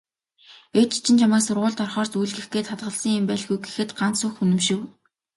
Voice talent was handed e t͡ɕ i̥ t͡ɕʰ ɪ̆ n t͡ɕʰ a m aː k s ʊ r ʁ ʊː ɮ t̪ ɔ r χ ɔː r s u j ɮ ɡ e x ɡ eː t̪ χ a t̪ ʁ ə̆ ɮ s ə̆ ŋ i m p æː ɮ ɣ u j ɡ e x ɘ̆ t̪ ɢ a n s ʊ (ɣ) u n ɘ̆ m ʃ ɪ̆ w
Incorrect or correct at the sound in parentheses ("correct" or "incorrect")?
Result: incorrect